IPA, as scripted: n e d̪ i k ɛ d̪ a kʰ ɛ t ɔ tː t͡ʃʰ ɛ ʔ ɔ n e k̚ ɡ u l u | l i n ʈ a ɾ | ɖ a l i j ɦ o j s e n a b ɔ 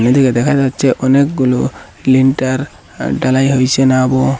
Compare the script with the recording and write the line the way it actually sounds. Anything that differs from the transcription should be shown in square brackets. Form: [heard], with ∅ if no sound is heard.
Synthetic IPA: n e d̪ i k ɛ d̪ [ɛ] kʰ [a] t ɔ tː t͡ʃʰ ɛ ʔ ɔ n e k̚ ɡ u l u | l i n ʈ a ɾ | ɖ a l [a] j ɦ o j s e n a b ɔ